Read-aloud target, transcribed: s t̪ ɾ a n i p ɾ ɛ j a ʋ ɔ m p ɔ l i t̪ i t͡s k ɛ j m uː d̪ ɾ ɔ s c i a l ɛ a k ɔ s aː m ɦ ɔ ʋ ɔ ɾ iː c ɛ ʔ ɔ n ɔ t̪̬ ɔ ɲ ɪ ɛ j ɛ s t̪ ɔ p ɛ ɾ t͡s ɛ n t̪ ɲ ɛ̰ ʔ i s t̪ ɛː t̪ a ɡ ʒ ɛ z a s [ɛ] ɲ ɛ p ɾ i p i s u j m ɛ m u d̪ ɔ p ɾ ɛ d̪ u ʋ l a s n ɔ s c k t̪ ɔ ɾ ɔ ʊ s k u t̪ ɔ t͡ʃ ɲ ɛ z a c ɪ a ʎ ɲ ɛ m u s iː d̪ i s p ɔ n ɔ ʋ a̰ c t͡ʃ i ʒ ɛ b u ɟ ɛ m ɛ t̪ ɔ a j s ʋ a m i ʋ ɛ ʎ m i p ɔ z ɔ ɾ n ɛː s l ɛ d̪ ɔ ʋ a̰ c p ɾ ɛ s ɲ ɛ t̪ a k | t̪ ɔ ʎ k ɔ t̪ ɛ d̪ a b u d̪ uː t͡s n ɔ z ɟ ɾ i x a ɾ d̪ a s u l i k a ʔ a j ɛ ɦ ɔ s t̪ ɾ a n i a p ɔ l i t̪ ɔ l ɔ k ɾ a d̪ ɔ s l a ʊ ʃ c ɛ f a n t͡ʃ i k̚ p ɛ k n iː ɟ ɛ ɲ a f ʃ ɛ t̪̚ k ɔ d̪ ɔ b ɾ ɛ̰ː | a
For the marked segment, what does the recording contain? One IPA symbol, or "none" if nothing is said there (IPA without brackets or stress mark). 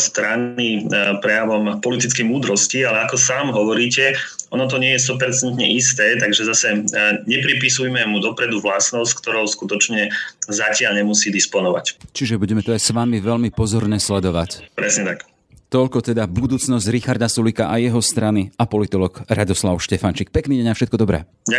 ɛ